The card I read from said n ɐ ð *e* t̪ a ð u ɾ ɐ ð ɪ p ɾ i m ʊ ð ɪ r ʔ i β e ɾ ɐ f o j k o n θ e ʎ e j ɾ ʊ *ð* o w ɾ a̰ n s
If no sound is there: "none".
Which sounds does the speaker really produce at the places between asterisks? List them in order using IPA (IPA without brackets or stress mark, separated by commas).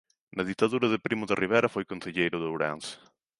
i, ð